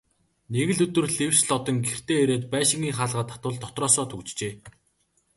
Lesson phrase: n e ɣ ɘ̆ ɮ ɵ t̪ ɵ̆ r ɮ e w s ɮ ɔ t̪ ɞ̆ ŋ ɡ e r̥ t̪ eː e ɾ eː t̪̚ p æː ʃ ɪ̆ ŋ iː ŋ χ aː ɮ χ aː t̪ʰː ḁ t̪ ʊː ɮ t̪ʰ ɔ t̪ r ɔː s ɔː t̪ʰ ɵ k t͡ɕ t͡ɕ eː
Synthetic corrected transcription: n e ɣ ɘ̆ ɮ ɵ t̪ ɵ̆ r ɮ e w s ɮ ɔ t̪ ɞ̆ ŋ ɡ e r̥ t̪ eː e ɾ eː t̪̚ p æː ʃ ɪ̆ ŋ iː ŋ χ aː ɮ ʁ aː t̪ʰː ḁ t̪ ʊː ɮ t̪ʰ ɔ t̪ r ɔː s ɔː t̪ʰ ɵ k t͡ɕ t͡ɕ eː